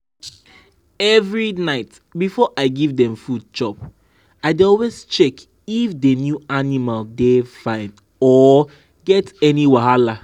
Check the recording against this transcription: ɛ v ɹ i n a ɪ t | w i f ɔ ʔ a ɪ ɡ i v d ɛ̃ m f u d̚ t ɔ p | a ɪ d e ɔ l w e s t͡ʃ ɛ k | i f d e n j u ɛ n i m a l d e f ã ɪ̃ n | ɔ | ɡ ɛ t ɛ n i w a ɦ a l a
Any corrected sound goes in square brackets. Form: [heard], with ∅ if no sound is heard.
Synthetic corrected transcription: ɛ v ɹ i n a ɪ t | [b] i f ɔ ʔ a ɪ ɡ i v d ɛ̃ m f u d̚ [t͡ʃ] ɔ p | a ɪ d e ɔ l w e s t͡ʃ ɛ k | i f d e n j u [a] n i m a l d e f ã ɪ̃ n | ɔ | ɡ ɛ t ɛ n i w a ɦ a l a